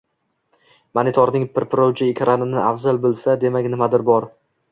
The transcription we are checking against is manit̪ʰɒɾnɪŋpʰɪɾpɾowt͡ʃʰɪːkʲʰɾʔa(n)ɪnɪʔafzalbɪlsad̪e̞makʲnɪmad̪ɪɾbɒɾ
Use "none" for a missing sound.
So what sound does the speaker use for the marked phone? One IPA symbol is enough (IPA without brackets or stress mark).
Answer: n